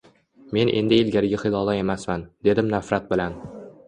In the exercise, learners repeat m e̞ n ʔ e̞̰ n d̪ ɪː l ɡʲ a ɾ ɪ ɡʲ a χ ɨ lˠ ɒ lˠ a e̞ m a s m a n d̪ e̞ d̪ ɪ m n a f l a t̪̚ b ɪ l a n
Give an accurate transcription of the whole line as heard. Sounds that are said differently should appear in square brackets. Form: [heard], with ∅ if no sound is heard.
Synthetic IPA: m e̞ n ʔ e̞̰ n d̪ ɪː l ɡʲ a ɾ ɪ ɡʲ a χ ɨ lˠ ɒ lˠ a e̞ m a s m a n d̪ e̞ d̪ ɪ m n a f [ɾ] a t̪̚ b ɪ l a n